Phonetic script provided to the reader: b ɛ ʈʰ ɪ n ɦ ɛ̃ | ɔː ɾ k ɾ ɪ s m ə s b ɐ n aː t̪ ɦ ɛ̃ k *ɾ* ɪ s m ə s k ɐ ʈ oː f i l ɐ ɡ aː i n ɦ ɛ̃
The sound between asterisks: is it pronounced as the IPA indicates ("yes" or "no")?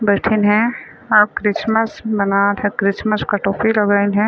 yes